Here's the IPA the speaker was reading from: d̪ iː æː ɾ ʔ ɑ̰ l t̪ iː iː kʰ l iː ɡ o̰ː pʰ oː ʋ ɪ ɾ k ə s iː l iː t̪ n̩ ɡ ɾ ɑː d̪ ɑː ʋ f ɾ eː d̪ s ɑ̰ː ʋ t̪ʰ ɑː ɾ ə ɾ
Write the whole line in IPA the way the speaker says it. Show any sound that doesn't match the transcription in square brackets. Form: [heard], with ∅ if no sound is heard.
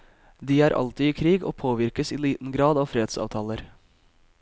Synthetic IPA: d̪ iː æː ɾ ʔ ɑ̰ l t̪ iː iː kʰ [ɾ] iː ɡ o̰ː pʰ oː ʋ ɪ ɾ k ə s iː l iː t̪ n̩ ɡ ɾ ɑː d̪ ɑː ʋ f ɾ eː d̪ s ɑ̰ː ʋ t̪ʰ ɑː [l] ə ɾ